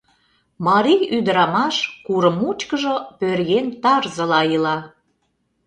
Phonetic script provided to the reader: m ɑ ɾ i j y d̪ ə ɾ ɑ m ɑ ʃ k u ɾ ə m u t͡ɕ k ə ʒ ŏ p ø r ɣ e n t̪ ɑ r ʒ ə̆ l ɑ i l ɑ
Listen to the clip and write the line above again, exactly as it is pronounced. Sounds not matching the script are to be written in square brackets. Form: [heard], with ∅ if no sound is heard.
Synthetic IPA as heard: m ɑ ɾ i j y d̪ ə ɾ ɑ m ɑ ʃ k u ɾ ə m u t͡ɕ k ə ʒ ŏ p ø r ɣ e n t̪ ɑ r [z] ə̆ l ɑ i l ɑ